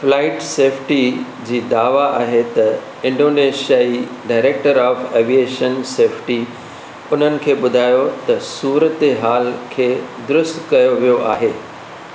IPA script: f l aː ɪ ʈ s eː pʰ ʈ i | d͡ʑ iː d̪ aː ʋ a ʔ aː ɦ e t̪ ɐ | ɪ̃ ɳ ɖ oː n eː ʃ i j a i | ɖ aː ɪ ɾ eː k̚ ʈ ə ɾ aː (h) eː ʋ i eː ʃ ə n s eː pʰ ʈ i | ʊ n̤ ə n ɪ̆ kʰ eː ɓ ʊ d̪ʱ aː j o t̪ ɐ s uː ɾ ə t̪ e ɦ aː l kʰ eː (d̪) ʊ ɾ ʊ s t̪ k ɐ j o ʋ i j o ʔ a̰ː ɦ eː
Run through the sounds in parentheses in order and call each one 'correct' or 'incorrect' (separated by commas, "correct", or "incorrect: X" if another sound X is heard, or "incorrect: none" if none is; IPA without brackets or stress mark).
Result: incorrect: f, correct